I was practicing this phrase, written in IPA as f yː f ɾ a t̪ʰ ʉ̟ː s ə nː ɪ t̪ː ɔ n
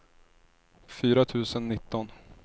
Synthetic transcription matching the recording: f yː ɾ a t̪ʰ ʉ̟ː s ə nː ɪ t̪ː ɔ n